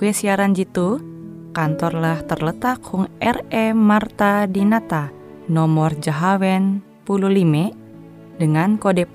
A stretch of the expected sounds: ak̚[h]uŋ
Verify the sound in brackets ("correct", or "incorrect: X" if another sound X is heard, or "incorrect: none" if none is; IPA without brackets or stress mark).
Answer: correct